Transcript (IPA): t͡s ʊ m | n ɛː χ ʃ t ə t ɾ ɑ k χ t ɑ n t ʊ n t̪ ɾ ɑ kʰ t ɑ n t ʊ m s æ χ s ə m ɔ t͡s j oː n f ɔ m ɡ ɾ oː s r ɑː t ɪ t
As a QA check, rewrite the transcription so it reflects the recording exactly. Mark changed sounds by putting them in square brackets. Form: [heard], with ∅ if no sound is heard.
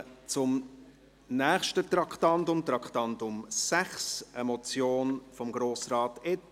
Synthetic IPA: t͡s ʊ m | n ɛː χ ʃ t ə t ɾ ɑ k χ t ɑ n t ʊ [m] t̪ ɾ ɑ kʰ t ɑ n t ʊ m s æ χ s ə m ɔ t͡s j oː n f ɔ m ɡ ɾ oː s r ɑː t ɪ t

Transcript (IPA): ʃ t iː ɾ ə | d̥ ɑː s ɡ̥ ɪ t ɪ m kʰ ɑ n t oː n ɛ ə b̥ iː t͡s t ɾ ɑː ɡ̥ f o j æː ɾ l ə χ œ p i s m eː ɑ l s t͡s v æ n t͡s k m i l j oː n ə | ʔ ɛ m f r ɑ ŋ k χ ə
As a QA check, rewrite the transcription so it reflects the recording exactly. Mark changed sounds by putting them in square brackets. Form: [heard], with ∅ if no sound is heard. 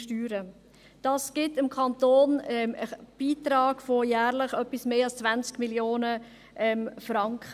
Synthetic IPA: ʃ t [yː] ɾ ə | d̥ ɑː s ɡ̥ ɪ t ɪ m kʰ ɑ n t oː n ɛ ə b̥ iː [∅] t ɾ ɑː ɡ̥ f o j æː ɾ l ə χ œ p i s m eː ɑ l s t͡s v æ n t͡s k m i l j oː n ə | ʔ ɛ m f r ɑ ŋ k χ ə

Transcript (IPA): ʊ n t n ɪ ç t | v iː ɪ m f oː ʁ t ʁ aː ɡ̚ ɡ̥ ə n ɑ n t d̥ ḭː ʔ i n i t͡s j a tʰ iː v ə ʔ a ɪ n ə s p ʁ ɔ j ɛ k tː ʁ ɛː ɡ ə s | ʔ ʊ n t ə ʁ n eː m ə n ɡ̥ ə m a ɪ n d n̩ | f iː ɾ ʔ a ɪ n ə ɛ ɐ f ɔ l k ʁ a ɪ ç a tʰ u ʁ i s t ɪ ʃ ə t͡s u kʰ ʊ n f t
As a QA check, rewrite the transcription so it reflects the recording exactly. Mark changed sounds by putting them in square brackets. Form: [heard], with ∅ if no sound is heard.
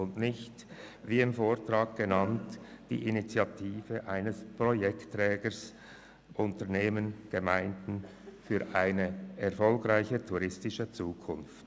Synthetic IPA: ʊ n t n ɪ ç t | v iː ɪ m f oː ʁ t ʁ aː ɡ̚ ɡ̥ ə n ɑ n t d̥ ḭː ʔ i n i t͡s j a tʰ iː v ə ʔ a ɪ n ə s p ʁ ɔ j ɛ k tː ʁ ɛː ɡ ə s | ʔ ʊ n t ə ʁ n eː m ə n ɡ̥ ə m a ɪ n d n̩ | f [yː] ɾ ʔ a ɪ n ə ɛ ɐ f ɔ l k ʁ a ɪ ç [ə] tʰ u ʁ [ɪ] s t ɪ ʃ ə t͡s [uː] kʰ ʊ n f t

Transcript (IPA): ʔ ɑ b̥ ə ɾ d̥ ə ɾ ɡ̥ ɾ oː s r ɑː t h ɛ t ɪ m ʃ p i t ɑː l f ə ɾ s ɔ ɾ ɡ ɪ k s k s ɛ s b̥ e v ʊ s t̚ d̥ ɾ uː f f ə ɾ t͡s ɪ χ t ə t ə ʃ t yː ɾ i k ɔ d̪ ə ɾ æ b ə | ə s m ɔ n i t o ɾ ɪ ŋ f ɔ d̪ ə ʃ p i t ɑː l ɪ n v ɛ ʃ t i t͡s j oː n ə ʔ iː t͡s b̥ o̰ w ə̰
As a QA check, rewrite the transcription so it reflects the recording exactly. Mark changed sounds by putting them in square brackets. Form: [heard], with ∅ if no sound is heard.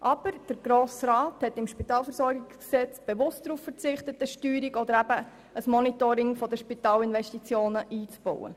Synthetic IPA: ʔ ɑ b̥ ə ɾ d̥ ə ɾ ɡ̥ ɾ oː s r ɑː t h ɛ t ɪ m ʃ p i t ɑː l f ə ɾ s ɔ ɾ ɡ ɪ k s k s ɛ [t͡s] b̥ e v ʊ s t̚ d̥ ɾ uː f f ə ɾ t͡s ɪ χ t ə t ə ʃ t yː ɾ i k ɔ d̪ ə ɾ æ b ə | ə s m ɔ n i t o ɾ ɪ ŋ f ɔ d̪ ə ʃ p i t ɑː l ɪ n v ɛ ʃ t i t͡s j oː n ə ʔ iː t͡s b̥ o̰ w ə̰

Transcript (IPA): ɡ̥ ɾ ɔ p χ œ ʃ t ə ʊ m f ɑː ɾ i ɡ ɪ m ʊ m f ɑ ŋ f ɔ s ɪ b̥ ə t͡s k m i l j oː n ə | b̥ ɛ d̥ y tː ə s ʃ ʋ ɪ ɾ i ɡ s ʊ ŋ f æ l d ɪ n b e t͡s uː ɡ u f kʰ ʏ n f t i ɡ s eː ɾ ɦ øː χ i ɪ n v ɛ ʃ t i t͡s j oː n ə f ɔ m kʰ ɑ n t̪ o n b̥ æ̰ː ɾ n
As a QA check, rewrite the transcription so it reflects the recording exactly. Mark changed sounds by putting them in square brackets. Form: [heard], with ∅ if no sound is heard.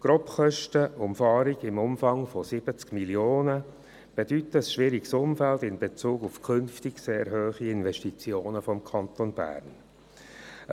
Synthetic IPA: ɡ̥ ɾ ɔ p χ œ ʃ t ə ʊ m f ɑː ɾ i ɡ ɪ m ʊ m f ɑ ŋ f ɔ s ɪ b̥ ə t͡s k m i l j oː n ə | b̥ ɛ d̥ y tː ə s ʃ ʋ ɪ ɾ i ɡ s ʊ [m] f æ l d ɪ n b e t͡s uː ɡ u f kʰ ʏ n f t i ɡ s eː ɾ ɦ øː χ i ɪ n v ɛ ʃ t i t͡s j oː n ə f ɔ m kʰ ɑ n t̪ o n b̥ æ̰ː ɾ n

